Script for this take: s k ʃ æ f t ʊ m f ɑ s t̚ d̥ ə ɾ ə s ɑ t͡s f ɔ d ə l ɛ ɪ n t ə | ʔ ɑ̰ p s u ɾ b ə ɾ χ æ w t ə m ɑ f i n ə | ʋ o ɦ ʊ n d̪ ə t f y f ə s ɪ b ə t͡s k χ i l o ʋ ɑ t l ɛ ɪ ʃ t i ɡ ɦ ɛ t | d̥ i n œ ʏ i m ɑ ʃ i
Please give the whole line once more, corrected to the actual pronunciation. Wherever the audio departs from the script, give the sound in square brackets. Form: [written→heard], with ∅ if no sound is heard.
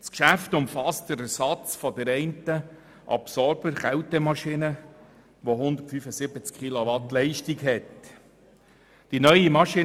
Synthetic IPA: s k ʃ æ f t ʊ m f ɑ s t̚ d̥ ə ɾ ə s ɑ t͡s f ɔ d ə [l→ɾ] ɛ ɪ n t ə | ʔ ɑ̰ p s [u→ɔ] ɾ b ə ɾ χ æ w t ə m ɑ [f→ʃ] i n ə | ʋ o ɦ ʊ n d̪ ə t f y f ə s ɪ b ə t͡s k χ i l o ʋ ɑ t l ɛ ɪ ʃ t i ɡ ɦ ɛ t | d̥ i n œ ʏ i m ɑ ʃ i